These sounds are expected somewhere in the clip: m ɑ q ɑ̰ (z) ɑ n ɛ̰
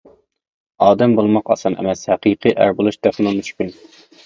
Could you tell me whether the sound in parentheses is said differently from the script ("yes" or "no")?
yes